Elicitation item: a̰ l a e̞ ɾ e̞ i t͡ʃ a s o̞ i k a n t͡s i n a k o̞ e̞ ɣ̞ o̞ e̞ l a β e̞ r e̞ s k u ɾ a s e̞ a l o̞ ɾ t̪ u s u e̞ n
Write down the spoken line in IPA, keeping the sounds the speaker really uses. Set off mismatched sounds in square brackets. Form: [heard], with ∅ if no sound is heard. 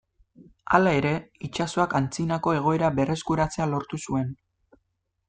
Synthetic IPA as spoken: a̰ l a e̞ ɾ e̞ i t͡ʃ a s o̞ [a] k a n t͡s i n a k o̞ e̞ ɣ̞ o̞ e̞ [ɾ] a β e̞ r e̞ s k u ɾ a [t͡s] e̞ a l o̞ ɾ t̪ u s u e̞ n

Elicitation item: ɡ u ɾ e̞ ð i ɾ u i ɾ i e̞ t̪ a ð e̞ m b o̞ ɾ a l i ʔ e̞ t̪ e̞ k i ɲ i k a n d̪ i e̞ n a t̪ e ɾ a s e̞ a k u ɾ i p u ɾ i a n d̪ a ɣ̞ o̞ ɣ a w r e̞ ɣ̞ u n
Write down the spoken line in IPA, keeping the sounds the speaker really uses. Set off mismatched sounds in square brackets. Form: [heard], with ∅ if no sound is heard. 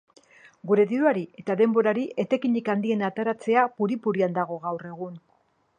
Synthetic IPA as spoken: ɡ u ɾ e̞ ð i ɾ u [a] ɾ i e̞ t̪ a ð e̞ m b o̞ ɾ a [ɾ] i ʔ e̞ t̪ e̞ k i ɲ i k a n d̪ i e̞ n a t̪ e ɾ a [t͡s] e̞ a [p] u ɾ i p u ɾ i a n d̪ a ɣ̞ o̞ ɣ a w r e̞ ɣ̞ u n

